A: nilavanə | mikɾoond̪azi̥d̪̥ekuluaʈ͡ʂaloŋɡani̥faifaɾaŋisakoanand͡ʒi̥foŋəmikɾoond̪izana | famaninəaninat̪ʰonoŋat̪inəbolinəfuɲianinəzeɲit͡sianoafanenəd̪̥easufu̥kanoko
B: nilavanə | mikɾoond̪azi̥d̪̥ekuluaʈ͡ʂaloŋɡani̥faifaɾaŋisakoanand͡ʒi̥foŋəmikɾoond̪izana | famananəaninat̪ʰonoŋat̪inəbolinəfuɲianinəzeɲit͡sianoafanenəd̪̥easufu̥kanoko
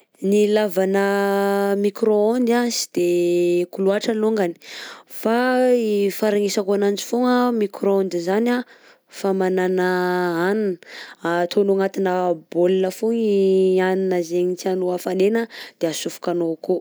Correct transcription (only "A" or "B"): B